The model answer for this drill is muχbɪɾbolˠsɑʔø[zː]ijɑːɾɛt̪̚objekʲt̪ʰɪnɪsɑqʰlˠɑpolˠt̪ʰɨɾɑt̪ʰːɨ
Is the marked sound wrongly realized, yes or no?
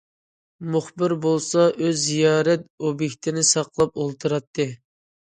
no